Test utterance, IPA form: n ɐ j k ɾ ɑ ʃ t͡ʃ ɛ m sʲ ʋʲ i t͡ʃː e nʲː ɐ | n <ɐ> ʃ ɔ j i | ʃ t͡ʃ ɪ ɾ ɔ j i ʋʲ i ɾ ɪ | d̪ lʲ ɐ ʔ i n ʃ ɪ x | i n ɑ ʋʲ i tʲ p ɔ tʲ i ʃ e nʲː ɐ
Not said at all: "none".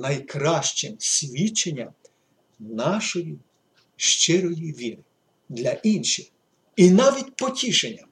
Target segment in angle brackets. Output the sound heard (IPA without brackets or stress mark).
ɑ